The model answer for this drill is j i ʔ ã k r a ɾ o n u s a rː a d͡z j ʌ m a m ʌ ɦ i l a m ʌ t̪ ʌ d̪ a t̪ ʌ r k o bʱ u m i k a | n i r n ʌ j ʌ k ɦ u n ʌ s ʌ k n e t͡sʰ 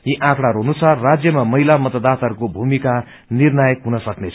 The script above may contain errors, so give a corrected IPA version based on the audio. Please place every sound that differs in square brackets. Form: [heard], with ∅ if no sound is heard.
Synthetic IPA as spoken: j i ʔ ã k [ɽ] a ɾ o n u s a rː a d͡z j ʌ m a m ʌ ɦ i l a m ʌ t̪ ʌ d̪ a t̪ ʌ r k o bʱ u m i k a | n i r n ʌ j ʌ k ɦ u n ʌ s ʌ k n e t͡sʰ